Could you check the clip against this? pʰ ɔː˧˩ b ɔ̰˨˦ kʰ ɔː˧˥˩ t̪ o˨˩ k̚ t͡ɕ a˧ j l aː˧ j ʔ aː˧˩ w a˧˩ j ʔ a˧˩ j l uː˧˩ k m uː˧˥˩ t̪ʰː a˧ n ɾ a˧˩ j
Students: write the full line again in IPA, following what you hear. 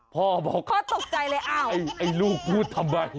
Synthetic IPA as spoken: pʰ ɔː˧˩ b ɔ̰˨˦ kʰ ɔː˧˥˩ t̪ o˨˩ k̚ t͡ɕ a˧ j l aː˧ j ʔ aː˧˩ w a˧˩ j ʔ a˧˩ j l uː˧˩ k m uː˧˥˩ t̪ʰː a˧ m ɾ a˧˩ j